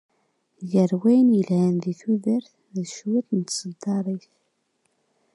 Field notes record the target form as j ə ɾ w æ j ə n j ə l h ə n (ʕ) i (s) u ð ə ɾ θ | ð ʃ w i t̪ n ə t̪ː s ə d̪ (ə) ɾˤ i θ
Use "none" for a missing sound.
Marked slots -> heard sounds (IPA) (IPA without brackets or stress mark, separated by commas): ð, θ, ɑ